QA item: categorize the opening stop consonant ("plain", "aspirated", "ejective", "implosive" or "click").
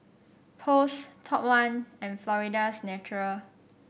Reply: aspirated